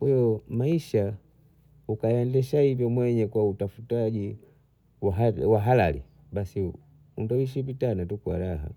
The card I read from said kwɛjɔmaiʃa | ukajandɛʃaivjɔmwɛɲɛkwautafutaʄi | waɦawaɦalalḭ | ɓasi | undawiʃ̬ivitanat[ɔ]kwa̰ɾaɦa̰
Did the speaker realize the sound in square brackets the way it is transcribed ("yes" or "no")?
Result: no